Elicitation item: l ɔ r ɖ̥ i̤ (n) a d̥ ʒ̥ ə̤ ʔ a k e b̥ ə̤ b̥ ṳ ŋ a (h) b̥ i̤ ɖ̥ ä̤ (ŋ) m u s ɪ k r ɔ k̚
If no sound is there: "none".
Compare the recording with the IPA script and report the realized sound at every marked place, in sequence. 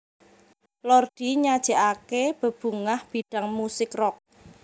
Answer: ɲ, h, ŋ

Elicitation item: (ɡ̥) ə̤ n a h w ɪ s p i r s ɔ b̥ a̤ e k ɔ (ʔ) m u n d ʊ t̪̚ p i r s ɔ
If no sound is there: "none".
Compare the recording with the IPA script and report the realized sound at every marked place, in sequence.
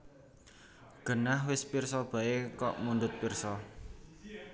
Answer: ɡ̥, ʔ

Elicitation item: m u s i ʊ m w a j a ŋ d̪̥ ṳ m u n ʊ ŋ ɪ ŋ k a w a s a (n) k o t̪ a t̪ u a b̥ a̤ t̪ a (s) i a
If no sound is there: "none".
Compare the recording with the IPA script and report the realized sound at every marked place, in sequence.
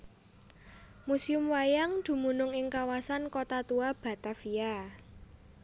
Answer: n, f

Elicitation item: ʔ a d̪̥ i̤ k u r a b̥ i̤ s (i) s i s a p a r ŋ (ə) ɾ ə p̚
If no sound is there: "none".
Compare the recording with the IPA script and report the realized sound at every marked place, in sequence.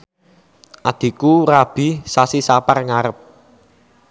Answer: a, a

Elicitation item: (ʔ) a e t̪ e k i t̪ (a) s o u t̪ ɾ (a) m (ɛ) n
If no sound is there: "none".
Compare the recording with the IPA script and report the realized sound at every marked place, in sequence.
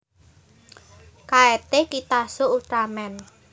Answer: k, a, a, ɛ

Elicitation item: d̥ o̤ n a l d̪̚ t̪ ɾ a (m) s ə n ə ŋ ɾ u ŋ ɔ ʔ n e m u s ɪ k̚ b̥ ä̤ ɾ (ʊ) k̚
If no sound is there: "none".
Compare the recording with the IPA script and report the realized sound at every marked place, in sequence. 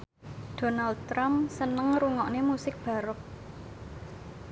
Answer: m, ʊ

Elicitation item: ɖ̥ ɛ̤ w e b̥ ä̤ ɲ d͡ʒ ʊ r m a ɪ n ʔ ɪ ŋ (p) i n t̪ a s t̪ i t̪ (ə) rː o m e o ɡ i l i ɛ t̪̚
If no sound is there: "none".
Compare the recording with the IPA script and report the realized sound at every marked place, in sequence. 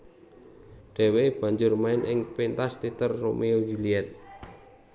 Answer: p, ə

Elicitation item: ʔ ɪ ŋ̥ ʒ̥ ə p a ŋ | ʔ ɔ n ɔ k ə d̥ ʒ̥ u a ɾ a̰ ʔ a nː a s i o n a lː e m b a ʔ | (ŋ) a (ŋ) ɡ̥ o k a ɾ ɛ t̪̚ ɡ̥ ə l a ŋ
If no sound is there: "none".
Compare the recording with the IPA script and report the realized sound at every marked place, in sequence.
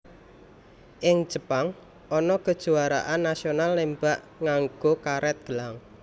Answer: ŋ, ŋ

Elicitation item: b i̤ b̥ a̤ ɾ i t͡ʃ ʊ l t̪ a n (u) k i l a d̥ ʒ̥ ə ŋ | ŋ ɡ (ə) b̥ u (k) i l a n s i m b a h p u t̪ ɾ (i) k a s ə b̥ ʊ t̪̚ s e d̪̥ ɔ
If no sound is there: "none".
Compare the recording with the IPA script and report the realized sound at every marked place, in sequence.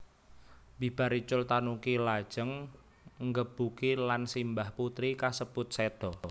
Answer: u, ə, k, i

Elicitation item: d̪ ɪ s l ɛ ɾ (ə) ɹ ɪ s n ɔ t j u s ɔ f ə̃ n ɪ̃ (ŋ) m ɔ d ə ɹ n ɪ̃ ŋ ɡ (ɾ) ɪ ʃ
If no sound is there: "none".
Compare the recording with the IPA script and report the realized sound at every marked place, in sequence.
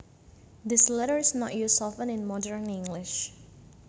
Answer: ə, n, l

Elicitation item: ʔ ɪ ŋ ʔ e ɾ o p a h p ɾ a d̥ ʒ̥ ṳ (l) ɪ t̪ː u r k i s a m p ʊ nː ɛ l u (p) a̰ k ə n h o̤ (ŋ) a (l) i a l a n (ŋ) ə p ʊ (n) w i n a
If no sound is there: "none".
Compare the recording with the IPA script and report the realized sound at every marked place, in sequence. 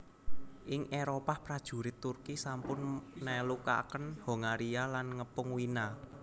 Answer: ɾ, k, ŋ, ɾ, ŋ, ŋ

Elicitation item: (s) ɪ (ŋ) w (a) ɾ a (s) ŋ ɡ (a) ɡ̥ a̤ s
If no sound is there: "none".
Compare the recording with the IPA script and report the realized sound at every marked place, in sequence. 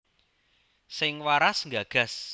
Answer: s, ŋ, a, s, a

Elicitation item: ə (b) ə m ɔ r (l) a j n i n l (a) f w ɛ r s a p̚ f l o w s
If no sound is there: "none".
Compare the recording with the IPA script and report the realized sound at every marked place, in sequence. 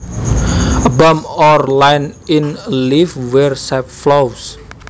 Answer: b, l, i

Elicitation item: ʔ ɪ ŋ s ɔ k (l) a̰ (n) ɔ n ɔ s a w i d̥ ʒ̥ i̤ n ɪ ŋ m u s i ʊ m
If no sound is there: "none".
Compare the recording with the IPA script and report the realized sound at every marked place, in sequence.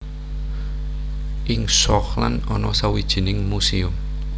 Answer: l, n

